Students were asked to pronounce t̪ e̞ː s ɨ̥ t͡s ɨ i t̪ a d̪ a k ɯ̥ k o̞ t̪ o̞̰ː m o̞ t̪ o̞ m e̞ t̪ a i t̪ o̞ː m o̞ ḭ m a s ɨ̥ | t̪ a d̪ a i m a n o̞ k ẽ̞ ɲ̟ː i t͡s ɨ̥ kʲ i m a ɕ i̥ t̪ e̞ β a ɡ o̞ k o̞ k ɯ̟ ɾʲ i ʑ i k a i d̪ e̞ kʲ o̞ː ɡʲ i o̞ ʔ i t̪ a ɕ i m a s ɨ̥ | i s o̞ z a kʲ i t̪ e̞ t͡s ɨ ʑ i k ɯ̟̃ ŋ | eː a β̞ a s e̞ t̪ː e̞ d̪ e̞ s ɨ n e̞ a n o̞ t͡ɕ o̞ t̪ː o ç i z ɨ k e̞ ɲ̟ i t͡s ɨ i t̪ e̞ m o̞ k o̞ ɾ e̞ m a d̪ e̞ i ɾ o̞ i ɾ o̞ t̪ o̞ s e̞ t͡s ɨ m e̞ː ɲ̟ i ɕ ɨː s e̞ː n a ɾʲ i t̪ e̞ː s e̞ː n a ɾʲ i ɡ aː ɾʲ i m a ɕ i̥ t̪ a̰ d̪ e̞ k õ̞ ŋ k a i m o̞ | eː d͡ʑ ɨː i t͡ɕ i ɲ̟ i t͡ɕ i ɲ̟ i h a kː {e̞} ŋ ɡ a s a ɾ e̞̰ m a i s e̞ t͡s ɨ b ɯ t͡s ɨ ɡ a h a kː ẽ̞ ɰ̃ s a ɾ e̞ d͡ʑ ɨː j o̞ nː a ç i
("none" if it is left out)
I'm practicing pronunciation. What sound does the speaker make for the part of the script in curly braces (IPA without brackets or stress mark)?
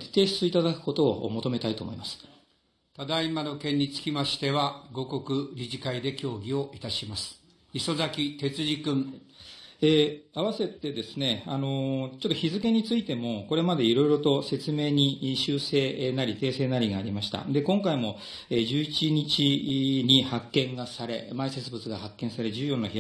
ẽ̞